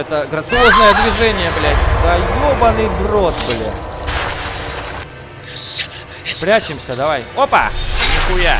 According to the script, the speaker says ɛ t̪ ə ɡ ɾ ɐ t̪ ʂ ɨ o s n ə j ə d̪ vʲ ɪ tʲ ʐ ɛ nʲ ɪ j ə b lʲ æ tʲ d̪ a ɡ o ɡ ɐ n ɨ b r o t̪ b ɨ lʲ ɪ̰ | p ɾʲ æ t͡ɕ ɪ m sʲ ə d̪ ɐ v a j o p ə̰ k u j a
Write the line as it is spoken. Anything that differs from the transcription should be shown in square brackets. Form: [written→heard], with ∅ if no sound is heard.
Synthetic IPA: ɛ t̪ ə ɡ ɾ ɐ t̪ [ʂ→s] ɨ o [s→z] n ə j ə d̪ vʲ ɪ [tʲ→∅] ʐ ɛ nʲ ɪ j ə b lʲ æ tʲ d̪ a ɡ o [ɡ→b] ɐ n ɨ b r o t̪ b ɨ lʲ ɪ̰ | p ɾʲ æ t͡ɕ ɪ m sʲ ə d̪ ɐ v a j o p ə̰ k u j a